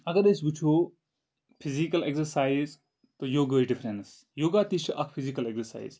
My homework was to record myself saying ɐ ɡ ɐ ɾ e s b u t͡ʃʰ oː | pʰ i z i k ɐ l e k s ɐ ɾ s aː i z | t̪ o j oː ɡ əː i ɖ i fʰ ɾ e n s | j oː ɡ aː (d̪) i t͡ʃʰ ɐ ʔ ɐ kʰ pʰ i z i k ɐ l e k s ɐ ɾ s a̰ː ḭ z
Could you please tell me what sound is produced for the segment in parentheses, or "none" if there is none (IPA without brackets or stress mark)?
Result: t̪